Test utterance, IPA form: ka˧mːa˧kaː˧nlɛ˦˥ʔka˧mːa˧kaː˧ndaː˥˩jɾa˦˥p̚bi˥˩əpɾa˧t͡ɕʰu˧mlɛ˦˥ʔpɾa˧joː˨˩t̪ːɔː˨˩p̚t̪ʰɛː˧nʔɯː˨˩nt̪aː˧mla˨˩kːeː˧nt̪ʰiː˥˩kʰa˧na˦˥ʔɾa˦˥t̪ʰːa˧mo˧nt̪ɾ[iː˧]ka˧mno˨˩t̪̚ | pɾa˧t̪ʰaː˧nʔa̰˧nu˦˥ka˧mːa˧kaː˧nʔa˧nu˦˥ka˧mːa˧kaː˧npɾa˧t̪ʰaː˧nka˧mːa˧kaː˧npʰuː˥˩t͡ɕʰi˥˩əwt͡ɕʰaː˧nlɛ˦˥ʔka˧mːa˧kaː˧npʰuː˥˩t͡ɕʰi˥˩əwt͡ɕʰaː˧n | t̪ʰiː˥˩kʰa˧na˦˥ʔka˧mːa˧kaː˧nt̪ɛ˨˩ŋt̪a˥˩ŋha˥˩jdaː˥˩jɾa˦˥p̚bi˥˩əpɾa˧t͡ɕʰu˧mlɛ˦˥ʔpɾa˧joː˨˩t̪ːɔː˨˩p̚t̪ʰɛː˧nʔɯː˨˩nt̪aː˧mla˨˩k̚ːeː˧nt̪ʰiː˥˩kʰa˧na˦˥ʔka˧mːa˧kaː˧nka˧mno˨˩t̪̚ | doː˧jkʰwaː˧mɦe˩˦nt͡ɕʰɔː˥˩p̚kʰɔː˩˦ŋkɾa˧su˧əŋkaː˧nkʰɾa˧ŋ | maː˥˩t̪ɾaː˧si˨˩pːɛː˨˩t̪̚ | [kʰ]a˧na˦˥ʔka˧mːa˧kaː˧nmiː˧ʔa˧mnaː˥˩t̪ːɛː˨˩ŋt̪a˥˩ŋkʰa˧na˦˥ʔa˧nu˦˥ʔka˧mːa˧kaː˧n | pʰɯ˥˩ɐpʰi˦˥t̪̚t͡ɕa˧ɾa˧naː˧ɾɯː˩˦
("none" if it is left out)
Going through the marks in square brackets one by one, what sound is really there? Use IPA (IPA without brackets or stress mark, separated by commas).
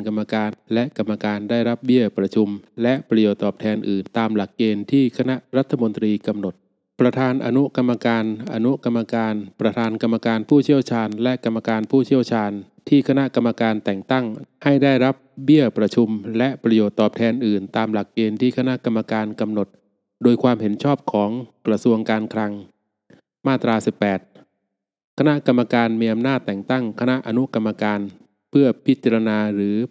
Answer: iː˧, kʰ